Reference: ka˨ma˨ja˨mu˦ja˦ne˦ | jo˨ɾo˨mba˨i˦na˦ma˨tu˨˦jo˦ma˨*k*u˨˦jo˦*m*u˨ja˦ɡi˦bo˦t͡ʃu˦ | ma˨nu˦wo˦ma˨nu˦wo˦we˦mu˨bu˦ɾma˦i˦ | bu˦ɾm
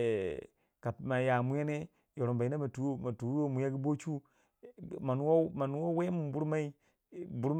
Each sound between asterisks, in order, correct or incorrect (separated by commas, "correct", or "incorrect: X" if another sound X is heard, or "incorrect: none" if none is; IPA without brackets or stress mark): incorrect: t, correct